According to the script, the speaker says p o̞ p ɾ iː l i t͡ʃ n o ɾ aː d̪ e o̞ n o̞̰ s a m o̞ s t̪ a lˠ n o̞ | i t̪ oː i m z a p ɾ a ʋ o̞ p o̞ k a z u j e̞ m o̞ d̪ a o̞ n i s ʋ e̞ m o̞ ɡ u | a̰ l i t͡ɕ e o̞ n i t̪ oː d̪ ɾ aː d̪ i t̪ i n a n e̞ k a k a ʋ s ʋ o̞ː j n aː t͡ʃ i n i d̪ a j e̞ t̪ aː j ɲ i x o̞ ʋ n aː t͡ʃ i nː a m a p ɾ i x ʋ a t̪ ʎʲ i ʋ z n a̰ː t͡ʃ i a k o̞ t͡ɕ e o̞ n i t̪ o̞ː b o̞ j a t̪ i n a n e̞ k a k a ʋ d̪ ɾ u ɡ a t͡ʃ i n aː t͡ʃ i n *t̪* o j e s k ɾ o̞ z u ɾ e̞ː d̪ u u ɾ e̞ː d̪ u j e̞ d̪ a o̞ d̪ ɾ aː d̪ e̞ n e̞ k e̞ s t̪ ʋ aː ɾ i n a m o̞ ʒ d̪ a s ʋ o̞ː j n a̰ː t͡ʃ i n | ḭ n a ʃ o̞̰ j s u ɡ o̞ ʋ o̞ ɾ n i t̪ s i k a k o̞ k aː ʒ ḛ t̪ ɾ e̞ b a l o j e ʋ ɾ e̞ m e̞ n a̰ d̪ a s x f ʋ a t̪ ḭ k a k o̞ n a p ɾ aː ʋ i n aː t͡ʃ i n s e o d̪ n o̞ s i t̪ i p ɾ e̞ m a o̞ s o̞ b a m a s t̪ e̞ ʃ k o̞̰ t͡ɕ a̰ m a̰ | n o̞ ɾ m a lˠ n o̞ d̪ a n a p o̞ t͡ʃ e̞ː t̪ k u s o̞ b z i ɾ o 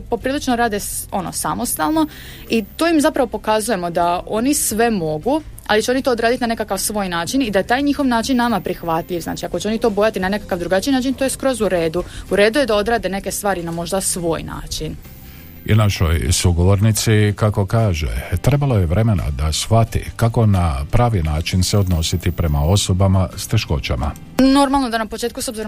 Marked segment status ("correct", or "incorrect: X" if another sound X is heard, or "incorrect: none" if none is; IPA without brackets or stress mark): correct